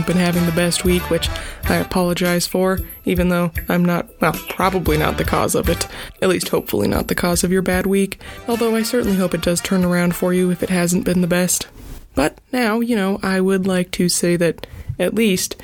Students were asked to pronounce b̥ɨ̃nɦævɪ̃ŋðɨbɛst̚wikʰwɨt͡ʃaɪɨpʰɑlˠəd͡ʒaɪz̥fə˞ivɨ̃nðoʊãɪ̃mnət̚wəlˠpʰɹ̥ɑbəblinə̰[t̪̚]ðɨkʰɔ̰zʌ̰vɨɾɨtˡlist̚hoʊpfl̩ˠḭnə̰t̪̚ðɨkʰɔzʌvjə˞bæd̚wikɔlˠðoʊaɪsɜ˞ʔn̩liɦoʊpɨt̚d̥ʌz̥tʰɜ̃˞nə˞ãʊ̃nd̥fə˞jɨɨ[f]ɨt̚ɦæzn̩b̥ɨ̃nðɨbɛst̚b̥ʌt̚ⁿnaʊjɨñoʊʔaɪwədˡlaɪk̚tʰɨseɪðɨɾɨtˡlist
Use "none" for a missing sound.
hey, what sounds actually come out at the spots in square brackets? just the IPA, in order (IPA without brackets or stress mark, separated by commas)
t̪̚, f